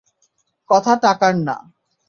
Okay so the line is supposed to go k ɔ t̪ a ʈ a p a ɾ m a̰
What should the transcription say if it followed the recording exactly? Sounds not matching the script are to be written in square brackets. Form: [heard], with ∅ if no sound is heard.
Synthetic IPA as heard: k ɔ [t̪ʰ] a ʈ a [k] a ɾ [n] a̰